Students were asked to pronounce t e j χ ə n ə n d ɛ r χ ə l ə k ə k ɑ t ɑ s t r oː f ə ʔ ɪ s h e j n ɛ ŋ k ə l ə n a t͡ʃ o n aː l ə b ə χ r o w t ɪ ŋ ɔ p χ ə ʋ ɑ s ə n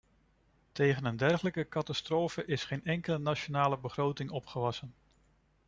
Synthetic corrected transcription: t e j χ ə n ə n d ɛ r χ ə l ə k ə k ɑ t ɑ s t r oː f ə ʔ ɪ s χ e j n ɛ ŋ k ə l ə n a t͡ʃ o n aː l ə b ə χ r o w t ɪ ŋ ɔ p χ ə ʋ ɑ s ə n